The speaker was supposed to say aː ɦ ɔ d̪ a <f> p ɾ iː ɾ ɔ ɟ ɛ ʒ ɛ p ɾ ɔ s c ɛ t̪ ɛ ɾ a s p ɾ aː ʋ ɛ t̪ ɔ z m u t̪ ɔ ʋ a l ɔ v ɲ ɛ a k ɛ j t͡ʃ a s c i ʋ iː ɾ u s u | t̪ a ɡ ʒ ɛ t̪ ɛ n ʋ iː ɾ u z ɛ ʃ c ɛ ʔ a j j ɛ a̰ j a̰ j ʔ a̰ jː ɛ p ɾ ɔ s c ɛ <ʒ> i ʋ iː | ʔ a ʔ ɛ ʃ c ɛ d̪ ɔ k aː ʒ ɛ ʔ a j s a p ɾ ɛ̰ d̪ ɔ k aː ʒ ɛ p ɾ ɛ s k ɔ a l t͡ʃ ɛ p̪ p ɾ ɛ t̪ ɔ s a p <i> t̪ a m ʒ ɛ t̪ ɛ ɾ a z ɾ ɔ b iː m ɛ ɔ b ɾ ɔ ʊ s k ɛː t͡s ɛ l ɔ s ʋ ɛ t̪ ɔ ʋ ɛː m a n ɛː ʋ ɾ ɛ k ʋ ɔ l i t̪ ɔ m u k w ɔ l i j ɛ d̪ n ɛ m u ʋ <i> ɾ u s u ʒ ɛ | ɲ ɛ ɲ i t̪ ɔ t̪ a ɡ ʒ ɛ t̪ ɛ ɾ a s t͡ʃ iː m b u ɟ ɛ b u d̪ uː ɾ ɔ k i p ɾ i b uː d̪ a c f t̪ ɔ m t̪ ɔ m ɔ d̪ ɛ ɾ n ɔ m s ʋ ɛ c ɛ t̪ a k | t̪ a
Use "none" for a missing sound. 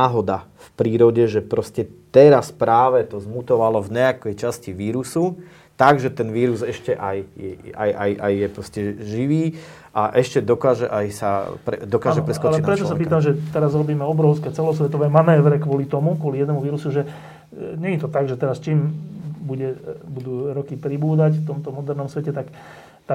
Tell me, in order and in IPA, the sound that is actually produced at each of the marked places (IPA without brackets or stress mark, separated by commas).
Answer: f, ʒ, iː, iː